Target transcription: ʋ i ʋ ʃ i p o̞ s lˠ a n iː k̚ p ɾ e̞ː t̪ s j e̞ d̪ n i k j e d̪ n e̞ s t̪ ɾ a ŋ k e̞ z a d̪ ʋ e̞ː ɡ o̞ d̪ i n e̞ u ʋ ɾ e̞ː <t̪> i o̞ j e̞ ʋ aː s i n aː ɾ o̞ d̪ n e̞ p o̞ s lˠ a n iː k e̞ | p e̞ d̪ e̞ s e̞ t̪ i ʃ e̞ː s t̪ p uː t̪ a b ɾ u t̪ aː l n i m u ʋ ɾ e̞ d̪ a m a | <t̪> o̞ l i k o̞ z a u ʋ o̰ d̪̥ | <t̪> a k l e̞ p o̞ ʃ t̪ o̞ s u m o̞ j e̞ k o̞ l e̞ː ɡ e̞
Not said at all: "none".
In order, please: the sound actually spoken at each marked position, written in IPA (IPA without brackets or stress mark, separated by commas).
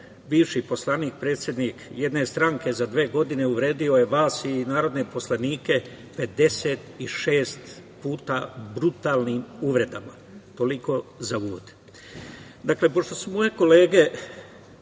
d̪, t̪, d̪